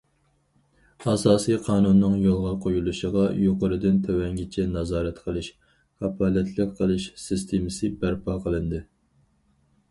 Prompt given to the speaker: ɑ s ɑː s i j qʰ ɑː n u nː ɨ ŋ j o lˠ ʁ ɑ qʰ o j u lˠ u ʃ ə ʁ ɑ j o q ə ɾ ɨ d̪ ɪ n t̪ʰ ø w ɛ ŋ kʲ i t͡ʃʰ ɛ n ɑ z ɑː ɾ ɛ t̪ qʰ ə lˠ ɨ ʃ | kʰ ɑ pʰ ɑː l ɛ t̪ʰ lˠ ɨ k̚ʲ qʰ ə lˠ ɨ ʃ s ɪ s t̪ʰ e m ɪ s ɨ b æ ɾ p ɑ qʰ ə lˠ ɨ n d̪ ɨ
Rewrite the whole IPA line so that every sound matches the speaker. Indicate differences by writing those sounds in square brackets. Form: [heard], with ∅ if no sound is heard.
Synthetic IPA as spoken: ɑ s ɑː s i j qʰ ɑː n u nː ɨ ŋ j o lˠ ʁ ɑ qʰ o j u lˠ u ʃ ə ʁ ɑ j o q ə ɾ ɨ d̪ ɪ n t̪ʰ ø w ɛ ŋ [ɡʲ] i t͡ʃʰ ɛ n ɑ z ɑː ɾ ɛ t̪ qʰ ə lˠ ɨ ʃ | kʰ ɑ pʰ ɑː l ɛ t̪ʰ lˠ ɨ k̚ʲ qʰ ə lˠ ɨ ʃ s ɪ s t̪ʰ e m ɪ s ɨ b æ ɾ p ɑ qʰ ə lˠ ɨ n d̪ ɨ